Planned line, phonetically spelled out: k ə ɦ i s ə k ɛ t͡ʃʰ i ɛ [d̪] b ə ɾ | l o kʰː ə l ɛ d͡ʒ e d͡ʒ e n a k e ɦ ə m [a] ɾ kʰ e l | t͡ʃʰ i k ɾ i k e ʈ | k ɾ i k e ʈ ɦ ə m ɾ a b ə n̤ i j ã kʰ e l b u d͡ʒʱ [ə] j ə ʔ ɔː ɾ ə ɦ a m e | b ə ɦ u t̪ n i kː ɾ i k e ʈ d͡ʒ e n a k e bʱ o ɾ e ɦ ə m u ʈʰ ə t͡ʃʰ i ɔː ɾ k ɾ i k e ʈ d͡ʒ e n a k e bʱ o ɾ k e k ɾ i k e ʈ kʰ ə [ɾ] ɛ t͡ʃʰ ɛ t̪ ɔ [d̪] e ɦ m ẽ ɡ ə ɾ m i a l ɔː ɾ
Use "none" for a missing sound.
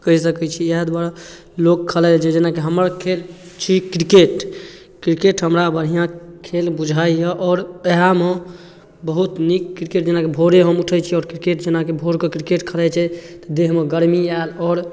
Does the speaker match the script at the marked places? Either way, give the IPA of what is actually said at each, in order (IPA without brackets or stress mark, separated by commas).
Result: d̪, ə, a, l, d̪